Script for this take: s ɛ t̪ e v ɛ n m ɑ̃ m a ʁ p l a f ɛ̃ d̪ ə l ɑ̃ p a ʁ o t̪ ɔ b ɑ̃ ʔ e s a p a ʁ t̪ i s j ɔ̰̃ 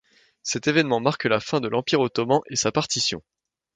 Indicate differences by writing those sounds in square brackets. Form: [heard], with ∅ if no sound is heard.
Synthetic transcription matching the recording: s ɛ t̪ e v ɛ n m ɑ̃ m a ʁ [k] l a f ɛ̃ d̪ ə l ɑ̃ p [i] ʁ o t̪ ɔ [m] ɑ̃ ʔ e s a p a ʁ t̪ i s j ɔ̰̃

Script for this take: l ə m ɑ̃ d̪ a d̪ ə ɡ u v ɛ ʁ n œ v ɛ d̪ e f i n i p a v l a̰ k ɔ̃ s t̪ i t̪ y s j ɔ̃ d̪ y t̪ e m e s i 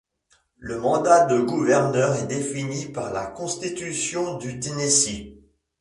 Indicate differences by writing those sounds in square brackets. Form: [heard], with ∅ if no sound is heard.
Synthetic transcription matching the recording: l ə m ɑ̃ d̪ a d̪ ə ɡ u v ɛ ʁ n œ [ʁ] ɛ d̪ e f i n i p a [ʁ] l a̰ k ɔ̃ s t̪ i t̪ y s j ɔ̃ d̪ y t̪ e [n] e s i

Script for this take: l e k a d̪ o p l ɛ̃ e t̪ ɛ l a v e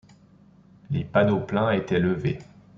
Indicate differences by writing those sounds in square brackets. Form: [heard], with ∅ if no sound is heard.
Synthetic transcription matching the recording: l e [p] a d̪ o p l ɛ̃ e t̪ ɛ l [ə] v e

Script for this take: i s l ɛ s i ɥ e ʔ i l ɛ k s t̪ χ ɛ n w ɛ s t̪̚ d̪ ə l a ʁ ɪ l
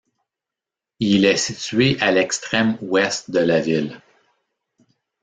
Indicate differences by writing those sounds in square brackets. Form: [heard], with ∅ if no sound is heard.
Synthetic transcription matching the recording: i [∅] l ɛ s i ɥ e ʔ [a] l ɛ k s t̪ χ ɛ [m] w ɛ s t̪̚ d̪ ə l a [v] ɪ l

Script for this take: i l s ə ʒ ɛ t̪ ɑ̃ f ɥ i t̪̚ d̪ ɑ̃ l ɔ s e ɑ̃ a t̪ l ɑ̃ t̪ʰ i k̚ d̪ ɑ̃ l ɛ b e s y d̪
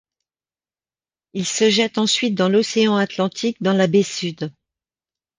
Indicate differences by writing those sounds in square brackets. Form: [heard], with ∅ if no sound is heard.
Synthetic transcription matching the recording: i l s ə ʒ ɛ t̪ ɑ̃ [s] ɥ i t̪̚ d̪ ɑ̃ l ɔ s e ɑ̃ a t̪ l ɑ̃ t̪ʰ i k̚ d̪ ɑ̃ l [a] b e s y d̪

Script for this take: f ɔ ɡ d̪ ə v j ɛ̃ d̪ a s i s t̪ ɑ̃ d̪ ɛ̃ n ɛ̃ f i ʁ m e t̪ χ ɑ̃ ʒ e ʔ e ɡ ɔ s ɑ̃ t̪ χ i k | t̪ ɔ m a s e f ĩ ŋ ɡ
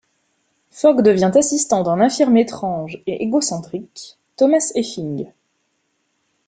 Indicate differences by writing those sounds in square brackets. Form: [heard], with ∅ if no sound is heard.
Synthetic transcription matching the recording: f ɔ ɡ d̪ ə v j ɛ̃ [t̪] a s i s t̪ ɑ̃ d̪ ɛ̃ n ɛ̃ f i ʁ m e t̪ χ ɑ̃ ʒ e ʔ e ɡ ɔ s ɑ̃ t̪ χ i k | t̪ ɔ m a s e f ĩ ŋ ɡ

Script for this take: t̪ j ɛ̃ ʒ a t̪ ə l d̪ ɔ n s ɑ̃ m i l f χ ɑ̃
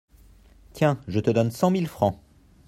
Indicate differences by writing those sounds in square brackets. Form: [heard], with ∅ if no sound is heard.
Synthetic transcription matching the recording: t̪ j ɛ̃ ʒ [ə] t̪ ə [∅] d̪ ɔ n s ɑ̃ m i l f χ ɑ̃

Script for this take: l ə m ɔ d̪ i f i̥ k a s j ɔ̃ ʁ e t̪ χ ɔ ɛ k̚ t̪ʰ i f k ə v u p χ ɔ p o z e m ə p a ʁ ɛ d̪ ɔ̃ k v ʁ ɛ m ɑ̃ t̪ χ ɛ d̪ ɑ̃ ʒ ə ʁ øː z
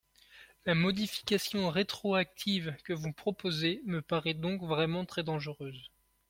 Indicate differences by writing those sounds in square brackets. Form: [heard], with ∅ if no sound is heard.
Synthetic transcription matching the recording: l [a] m ɔ d̪ i f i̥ k a s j ɔ̃ ʁ e t̪ χ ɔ [a] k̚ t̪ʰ i [v] k ə v u p χ ɔ p o z e m ə p a ʁ ɛ d̪ ɔ̃ k v ʁ ɛ m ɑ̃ t̪ χ ɛ d̪ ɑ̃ ʒ ə ʁ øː z

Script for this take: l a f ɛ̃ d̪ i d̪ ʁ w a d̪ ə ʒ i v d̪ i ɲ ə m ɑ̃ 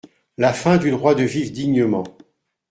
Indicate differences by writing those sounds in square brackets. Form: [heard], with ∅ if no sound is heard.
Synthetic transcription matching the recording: l a f ɛ̃ d̪ [y] d̪ ʁ w a d̪ ə [v] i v d̪ i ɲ ə m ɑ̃

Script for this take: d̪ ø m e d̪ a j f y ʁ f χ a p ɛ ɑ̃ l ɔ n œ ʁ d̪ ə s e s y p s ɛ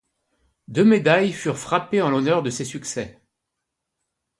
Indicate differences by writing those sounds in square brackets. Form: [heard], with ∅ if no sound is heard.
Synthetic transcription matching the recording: d̪ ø m e d̪ a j f y ʁ f χ a p [e] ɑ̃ l ɔ n œ ʁ d̪ ə s e s y [k] s ɛ

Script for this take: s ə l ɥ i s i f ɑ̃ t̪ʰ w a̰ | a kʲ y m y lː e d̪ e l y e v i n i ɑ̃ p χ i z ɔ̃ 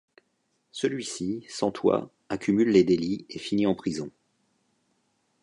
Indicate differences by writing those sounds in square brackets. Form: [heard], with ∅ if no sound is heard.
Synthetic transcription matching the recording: s ə l ɥ i s i [s] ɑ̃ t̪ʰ w a̰ | a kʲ y m y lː e d̪ e l [i] e [f] i n i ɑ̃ p χ i z ɔ̃

